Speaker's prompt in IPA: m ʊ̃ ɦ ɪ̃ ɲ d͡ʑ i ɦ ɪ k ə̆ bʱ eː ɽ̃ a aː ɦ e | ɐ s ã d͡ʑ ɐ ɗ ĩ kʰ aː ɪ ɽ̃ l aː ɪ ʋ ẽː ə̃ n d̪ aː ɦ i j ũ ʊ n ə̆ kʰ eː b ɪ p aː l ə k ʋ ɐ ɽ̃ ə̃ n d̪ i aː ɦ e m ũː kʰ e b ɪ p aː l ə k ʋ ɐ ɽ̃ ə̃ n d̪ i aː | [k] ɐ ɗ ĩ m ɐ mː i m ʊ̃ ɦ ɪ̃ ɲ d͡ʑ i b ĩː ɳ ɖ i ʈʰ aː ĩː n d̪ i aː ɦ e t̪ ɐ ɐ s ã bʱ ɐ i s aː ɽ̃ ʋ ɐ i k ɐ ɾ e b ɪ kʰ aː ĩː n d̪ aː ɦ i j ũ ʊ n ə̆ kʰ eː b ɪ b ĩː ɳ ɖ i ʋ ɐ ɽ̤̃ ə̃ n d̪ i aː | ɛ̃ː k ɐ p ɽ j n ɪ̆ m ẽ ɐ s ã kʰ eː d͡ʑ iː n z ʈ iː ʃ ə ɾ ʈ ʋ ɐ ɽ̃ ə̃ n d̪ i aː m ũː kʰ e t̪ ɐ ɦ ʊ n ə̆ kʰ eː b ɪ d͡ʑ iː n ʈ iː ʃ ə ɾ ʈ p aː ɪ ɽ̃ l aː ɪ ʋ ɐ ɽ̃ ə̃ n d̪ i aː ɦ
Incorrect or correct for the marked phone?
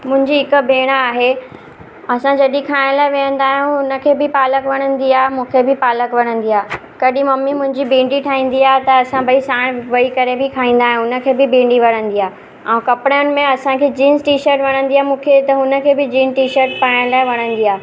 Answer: correct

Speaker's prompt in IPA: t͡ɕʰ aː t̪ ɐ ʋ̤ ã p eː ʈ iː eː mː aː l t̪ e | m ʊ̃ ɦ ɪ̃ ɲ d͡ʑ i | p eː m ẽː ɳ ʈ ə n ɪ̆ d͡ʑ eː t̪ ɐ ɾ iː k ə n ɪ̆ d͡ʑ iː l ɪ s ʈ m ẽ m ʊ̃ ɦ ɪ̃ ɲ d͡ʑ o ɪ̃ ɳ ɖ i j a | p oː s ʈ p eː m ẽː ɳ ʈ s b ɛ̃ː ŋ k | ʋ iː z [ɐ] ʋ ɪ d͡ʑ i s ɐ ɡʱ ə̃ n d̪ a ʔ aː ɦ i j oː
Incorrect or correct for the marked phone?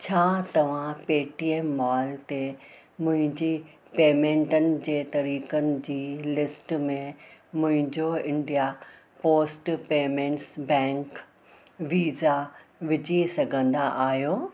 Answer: incorrect: a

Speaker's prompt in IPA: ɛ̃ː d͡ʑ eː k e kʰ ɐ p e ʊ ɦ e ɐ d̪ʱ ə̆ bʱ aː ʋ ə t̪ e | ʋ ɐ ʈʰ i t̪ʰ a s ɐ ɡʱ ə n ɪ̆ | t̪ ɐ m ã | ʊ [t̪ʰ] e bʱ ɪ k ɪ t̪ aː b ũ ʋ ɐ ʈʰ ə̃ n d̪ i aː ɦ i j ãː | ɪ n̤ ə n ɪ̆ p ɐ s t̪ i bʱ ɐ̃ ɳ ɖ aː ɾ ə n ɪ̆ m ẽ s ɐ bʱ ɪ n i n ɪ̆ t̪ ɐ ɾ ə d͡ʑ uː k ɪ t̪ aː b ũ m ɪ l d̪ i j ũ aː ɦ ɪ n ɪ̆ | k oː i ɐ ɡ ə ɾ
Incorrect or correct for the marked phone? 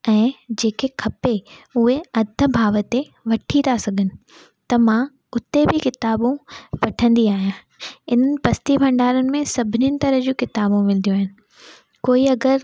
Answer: incorrect: t̪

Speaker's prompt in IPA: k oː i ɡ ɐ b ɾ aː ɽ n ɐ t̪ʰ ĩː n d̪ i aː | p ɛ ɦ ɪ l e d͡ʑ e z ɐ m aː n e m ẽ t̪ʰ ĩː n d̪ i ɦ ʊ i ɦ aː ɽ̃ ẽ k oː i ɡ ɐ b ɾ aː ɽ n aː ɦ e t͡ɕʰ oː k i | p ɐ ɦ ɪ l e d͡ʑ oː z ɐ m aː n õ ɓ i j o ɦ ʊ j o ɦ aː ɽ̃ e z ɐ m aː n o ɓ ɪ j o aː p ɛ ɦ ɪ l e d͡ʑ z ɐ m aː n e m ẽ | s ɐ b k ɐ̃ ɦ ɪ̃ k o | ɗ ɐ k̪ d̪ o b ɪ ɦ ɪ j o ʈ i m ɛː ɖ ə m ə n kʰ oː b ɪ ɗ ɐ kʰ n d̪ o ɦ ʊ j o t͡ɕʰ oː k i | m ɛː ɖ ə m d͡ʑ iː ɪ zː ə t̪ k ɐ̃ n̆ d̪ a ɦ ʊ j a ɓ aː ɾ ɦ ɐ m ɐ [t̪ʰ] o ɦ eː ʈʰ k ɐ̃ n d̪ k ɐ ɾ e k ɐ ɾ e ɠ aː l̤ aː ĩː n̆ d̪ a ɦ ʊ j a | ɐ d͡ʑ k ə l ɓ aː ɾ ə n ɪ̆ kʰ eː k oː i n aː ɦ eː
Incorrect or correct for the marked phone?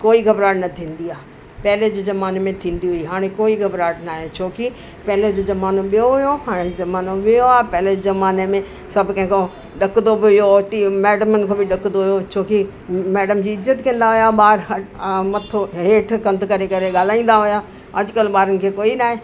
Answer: correct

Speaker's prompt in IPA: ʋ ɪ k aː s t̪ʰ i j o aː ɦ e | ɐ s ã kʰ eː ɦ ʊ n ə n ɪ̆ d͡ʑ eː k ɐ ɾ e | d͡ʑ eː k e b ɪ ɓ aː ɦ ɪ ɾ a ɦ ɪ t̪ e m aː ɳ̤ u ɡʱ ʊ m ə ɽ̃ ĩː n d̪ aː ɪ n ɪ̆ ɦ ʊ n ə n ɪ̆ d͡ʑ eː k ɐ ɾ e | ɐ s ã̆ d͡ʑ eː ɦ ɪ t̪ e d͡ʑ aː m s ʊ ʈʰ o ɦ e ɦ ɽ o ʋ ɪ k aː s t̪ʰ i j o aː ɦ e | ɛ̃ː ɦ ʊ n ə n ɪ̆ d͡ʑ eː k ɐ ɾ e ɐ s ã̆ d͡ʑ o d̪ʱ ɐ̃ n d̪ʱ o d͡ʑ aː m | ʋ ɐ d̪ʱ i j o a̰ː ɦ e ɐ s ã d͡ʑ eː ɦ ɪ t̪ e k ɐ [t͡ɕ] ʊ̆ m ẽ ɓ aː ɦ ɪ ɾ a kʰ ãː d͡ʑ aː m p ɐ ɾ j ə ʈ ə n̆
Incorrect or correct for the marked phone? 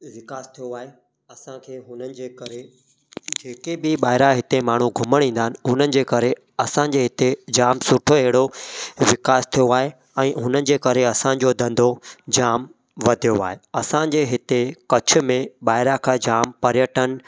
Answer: incorrect: t͡ɕʰ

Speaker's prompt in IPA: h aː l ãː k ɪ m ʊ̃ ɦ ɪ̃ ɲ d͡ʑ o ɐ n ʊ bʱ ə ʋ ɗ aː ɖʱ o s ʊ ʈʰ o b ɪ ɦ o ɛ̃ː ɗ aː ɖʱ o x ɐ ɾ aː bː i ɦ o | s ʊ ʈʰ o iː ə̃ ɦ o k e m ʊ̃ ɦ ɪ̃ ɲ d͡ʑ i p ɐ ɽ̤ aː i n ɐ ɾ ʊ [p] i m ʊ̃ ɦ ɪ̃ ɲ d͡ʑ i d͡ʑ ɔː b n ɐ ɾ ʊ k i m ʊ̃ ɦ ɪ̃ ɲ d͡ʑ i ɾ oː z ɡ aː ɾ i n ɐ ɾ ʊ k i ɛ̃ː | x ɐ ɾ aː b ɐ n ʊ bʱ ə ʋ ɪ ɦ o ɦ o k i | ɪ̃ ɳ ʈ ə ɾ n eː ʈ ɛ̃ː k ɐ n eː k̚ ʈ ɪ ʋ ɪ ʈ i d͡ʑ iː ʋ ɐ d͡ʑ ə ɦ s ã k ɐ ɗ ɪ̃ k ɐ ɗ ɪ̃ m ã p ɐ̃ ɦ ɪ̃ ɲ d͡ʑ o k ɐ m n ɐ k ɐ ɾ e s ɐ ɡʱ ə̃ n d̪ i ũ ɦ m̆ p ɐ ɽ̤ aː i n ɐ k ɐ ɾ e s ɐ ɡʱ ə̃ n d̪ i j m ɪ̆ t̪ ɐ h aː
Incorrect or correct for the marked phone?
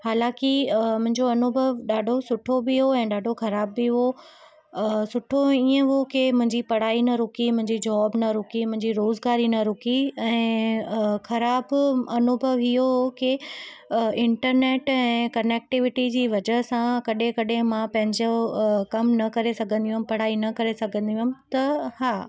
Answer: incorrect: k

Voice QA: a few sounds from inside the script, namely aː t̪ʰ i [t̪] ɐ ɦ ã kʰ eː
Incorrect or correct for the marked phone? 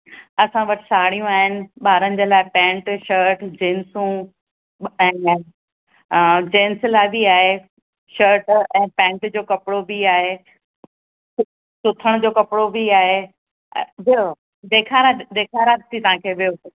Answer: correct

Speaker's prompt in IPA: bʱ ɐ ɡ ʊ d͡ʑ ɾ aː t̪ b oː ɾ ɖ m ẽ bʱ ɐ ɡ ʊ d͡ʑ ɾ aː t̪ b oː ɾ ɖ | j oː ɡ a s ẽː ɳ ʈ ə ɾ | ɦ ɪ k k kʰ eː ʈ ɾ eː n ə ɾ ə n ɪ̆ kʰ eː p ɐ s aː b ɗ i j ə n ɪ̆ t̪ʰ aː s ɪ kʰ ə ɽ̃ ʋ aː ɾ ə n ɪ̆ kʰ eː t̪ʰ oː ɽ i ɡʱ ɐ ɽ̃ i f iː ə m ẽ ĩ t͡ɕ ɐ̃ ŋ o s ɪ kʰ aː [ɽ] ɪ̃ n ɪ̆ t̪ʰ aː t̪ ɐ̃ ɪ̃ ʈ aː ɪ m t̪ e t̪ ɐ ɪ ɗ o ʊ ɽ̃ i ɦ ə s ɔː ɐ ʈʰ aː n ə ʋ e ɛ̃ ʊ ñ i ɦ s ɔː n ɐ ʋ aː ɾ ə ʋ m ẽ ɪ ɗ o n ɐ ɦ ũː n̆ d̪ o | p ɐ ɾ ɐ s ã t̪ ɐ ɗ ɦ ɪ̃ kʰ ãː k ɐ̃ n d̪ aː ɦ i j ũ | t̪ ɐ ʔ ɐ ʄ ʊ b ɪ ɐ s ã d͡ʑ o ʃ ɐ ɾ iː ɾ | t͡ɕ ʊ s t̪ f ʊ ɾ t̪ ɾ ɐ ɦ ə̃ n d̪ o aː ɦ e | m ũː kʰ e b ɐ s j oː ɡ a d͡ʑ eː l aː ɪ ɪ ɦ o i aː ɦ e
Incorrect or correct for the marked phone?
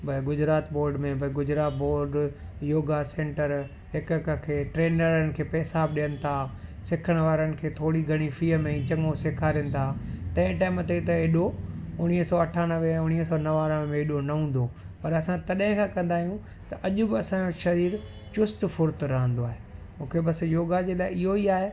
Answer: incorrect: ɾ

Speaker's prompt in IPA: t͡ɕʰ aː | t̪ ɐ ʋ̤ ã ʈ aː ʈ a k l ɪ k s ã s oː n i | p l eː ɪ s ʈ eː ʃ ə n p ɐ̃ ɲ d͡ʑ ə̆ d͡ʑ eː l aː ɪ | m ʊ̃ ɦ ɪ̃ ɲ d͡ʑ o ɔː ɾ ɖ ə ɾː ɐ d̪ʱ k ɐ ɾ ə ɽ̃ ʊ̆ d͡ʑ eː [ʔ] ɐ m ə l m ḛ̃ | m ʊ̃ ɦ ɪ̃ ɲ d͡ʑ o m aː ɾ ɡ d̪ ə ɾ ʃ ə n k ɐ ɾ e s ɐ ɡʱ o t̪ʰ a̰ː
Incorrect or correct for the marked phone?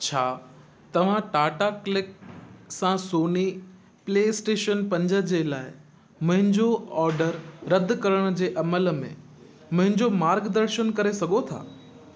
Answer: correct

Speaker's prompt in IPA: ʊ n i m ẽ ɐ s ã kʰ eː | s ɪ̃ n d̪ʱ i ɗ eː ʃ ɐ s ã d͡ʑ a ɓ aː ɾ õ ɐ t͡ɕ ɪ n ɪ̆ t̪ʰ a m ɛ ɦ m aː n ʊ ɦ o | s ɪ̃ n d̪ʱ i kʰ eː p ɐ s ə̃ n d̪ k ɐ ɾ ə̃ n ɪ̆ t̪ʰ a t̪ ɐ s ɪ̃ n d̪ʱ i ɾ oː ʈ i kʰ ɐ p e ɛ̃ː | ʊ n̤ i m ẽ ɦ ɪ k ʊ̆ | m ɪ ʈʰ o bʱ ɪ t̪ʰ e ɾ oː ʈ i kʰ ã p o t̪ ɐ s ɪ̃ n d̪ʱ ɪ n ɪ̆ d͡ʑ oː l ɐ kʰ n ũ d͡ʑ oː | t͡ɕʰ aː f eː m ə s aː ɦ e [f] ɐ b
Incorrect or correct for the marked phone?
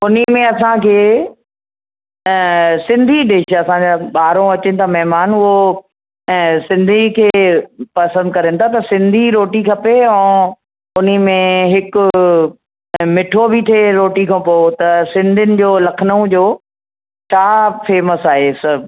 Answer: incorrect: s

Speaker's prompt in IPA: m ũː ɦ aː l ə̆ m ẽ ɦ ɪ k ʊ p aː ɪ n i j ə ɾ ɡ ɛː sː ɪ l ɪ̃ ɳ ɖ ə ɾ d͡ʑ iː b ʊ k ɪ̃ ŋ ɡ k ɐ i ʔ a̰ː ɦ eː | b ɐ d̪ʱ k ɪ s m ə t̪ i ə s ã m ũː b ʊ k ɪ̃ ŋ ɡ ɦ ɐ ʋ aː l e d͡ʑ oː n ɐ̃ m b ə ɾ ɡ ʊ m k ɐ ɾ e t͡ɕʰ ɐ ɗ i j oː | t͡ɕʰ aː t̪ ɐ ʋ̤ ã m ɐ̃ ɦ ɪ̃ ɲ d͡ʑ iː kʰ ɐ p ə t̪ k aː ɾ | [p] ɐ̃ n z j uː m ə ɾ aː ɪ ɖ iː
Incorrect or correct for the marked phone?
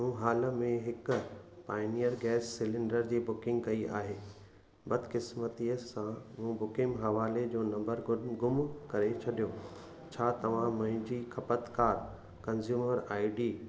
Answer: incorrect: k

